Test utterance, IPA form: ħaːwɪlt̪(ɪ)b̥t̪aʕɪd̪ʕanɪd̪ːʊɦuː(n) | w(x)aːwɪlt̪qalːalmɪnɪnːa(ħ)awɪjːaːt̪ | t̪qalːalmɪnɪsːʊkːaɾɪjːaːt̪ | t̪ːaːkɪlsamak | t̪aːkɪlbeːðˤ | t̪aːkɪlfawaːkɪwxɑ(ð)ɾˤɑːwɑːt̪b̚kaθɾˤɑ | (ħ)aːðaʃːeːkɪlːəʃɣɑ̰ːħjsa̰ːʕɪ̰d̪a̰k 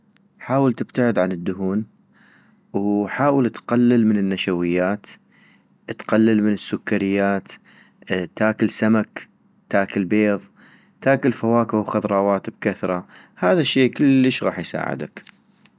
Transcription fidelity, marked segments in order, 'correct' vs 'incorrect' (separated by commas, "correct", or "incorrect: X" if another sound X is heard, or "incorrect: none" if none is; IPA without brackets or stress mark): correct, correct, incorrect: ħ, incorrect: ʃ, correct, incorrect: h